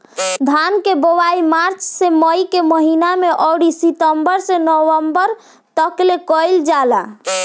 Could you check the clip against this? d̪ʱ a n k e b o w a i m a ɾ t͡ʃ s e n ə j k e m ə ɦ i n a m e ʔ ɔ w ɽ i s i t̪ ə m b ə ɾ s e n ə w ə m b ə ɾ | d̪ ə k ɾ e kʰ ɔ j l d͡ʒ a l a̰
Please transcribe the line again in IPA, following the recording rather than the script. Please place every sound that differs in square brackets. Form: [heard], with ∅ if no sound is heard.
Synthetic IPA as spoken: d̪ʱ a n k e b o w a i m a ɾ t͡ʃ s e [m] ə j k e m ə ɦ i n a m e ʔ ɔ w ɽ i s i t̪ ə m b ə ɾ s e n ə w ə m b ə ɾ | [t̪] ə k [l] e [k] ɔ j l d͡ʒ a l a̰